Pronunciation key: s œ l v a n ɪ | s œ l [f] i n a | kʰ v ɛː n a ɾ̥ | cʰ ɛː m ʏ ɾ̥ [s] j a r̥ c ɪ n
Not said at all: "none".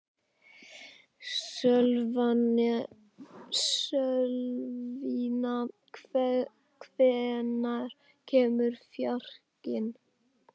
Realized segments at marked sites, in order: v, f

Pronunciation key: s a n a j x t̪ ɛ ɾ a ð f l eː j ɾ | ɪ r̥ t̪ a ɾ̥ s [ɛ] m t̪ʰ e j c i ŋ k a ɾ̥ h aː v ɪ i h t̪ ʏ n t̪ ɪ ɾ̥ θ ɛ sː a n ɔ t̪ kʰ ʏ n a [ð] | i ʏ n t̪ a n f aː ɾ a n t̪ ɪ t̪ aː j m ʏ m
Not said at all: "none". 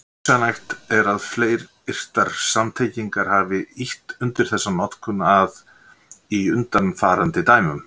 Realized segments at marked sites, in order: a, ð

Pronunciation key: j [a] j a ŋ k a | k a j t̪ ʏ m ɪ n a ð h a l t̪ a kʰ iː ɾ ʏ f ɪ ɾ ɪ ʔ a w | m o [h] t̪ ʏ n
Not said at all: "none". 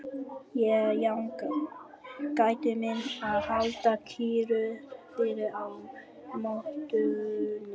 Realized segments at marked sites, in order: ɛ, h

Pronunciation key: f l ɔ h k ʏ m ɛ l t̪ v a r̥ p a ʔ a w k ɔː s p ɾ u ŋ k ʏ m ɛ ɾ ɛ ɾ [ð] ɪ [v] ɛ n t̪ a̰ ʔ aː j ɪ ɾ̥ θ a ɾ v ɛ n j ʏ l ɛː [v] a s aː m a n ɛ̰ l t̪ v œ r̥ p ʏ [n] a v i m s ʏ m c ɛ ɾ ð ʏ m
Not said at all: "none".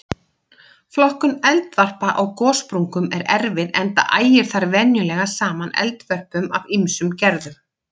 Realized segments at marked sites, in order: v, ð, ɣ, m

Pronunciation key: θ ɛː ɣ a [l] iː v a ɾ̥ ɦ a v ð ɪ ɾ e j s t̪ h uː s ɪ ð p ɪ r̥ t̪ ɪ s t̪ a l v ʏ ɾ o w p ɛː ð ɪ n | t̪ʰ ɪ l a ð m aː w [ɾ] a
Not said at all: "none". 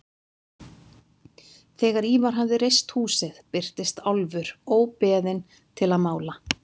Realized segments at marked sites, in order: ɾ, l

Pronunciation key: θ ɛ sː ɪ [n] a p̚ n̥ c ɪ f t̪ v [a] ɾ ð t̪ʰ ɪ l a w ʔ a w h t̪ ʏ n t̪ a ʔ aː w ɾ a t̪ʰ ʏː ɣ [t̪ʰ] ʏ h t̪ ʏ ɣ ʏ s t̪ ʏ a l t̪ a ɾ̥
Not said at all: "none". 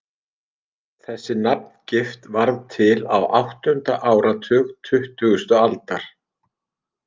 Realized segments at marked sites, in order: n, a, t̪ʰ

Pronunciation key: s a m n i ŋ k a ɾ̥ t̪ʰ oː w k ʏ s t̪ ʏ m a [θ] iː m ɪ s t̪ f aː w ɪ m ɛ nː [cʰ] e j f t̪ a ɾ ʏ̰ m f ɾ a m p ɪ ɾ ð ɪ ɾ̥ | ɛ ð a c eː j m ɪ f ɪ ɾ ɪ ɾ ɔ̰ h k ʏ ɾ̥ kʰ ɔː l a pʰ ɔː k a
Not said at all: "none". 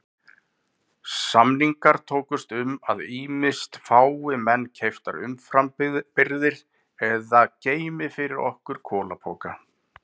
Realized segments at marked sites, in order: ð, cʰ

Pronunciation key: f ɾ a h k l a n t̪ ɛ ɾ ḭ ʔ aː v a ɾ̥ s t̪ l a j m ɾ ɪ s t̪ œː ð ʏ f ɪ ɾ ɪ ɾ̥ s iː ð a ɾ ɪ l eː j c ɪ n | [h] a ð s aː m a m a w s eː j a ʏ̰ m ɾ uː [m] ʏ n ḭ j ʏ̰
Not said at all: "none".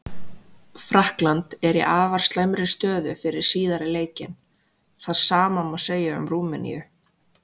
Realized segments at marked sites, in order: θ, m

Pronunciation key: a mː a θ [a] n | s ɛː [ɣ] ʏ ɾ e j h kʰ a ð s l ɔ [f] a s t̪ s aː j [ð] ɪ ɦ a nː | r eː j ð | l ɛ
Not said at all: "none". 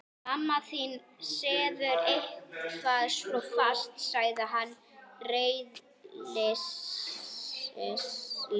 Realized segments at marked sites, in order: i, ð, f, ð

